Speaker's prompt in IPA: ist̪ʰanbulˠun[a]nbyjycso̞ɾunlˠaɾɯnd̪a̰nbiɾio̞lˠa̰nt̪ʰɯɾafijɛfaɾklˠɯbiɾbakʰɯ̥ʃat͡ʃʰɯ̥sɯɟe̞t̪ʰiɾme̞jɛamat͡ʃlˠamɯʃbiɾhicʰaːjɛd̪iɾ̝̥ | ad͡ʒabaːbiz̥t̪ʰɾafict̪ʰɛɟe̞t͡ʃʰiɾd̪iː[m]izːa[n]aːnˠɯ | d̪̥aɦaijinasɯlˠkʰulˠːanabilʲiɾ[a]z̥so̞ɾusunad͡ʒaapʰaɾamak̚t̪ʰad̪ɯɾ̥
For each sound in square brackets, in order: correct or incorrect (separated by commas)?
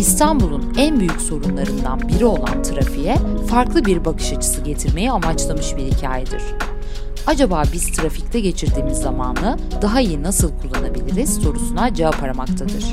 incorrect, correct, incorrect, incorrect